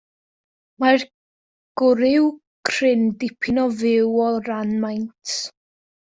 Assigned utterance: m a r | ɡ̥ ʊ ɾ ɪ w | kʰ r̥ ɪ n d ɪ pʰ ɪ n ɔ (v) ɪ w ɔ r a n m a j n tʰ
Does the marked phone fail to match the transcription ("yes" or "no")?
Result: no